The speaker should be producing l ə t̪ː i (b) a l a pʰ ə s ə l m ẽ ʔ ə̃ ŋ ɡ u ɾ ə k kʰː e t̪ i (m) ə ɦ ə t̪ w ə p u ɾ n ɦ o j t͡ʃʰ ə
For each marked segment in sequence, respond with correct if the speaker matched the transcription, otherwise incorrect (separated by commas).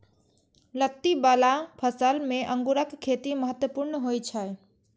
correct, correct